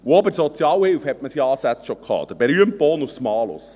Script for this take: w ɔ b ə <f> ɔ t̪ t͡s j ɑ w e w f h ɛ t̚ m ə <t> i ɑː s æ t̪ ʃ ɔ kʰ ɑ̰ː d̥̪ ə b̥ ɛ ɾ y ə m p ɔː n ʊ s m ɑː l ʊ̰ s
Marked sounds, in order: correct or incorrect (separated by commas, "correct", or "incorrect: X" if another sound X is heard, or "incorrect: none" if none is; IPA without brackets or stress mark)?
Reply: incorrect: s, incorrect: s